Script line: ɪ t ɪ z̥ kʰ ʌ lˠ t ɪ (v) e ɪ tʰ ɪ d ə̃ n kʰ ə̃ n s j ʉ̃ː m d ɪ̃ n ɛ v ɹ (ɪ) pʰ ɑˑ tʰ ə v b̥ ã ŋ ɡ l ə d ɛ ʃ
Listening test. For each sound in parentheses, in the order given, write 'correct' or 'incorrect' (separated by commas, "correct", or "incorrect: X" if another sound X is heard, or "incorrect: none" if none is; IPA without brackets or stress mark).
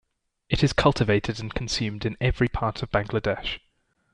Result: correct, incorrect: i